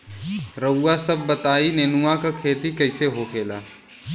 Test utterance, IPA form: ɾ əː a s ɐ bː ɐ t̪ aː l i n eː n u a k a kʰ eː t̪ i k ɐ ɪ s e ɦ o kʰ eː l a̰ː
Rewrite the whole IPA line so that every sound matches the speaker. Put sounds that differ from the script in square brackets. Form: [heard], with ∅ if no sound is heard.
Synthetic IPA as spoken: ɾ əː a s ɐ bː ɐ t̪ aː [∅] i n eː n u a k a kʰ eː t̪ i k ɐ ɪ s e ɦ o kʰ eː l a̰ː